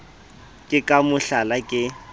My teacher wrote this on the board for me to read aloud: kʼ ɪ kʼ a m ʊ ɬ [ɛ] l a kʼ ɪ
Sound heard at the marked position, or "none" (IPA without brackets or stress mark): a